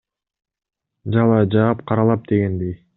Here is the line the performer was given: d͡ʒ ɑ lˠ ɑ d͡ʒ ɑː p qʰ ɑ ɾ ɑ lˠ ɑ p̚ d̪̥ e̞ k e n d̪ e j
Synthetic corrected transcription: d͡ʒ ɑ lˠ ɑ d͡ʒ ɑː p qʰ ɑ ɾ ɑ lˠ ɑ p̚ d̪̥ e̞ ɡ e n d̪ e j

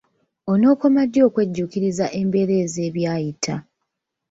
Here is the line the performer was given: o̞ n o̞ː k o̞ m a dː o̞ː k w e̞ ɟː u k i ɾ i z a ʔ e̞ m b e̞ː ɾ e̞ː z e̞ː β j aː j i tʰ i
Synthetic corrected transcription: o̞ n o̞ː k o̞ m a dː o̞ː k w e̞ ɟː u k i ɾ i z a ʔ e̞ m b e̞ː ɾ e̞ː z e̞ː β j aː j i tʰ a

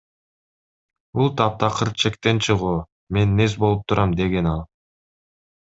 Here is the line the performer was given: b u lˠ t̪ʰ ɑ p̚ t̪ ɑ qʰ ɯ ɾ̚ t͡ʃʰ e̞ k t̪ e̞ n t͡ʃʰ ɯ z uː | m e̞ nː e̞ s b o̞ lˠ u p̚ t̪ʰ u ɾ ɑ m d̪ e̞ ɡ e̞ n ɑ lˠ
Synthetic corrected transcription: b u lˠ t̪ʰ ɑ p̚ t̪ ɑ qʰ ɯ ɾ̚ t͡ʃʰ e̞ k t̪ e̞ n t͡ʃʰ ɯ ʁ uː | m e̞ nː e̞ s b o̞ lˠ u p̚ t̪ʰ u ɾ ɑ m d̪ e̞ ɡ e̞ n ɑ lˠ

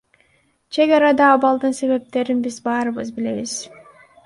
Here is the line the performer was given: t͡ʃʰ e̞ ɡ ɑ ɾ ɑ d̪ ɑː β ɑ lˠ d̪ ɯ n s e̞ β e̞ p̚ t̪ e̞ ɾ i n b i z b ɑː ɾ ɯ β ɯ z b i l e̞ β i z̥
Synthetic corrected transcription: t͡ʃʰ e̞ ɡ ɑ ɾ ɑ d̪ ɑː β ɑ lˠ d̪ ɯ n s e̞ β e̞ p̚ t̪ e̞ ɾ i n b i z b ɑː ɾ ɯ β ɯ z b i l e̞ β i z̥

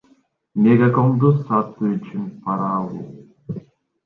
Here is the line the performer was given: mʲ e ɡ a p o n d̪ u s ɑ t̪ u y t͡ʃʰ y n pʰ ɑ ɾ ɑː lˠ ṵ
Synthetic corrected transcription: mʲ e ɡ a k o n d̪ u s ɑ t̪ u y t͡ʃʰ y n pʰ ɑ ɾ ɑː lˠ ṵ

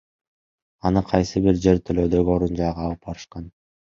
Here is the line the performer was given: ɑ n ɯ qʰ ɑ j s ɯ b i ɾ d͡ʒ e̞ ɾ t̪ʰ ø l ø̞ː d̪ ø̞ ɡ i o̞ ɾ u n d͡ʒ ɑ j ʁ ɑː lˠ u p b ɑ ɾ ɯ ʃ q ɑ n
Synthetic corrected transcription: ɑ n ɯ qʰ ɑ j s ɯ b i ɾ d͡ʒ e̞ ɾ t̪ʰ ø l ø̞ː d̪ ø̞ ɡ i o̞ ɾ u n d͡ʒ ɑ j ʁ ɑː lˠ ɯ p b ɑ ɾ ɯ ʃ q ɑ n

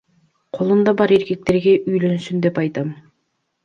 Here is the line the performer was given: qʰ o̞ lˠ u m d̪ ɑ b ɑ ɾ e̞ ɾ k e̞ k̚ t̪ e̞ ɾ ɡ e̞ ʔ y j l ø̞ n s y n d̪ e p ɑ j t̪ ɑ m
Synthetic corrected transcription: qʰ o̞ lˠ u m d̪ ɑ b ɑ ɾ e̞ ɾ k e̞ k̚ t̪ e̞ ɾ ɡ e̞ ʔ y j l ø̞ n s y n d̪ e p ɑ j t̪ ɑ m

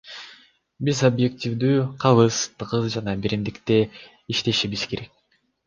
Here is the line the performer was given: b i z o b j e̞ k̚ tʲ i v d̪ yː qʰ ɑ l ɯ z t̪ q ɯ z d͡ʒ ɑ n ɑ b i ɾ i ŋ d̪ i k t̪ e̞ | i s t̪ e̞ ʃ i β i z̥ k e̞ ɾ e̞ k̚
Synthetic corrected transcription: b i z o b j e̞ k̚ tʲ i v d̪ yː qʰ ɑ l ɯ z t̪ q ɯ z d͡ʒ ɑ n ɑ b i ɾ i m d̪ i k t̪ e̞ | i ʃ t̪ e̞ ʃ i β i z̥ k e̞ ɾ e̞ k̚

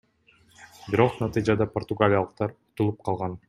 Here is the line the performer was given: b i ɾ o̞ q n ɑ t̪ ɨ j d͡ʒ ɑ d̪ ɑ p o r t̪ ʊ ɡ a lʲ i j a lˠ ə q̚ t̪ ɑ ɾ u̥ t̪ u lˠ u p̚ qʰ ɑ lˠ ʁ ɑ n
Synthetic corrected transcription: b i ɾ o̞ q n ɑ t̪ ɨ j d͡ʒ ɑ d̪ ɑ p o r t̪ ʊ ɡ a lʲ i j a lˠ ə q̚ t̪ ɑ ɾ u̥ t̪ u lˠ u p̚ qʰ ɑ lˠ ʁ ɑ n

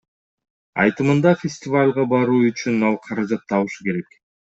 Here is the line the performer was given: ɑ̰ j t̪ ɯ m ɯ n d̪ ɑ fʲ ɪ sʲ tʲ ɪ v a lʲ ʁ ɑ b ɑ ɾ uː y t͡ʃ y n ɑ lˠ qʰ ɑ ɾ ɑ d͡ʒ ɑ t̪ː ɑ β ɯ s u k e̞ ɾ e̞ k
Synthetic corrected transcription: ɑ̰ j t̪ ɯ m ɯ n d̪ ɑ fʲ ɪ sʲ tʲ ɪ v a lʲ ʁ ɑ b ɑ ɾ uː y t͡ʃ y n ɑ lˠ qʰ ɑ ɾ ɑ d͡ʒ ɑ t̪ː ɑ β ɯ ʃ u k e̞ ɾ e̞ k

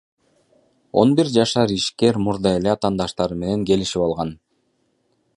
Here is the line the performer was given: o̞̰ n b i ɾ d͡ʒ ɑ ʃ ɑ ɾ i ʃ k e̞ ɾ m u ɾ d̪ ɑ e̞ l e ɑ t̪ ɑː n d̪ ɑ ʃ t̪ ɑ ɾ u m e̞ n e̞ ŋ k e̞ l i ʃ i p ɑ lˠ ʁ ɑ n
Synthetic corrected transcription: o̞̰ n b i ɾ d͡ʒ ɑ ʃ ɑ ɾ i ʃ k e̞ ɾ m u ɾ d̪ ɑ e̞ l e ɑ t̪ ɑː n d̪ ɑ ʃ t̪ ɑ ɾ ɯ m e̞ n e̞ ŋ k e̞ l i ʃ i p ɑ lˠ ʁ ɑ n

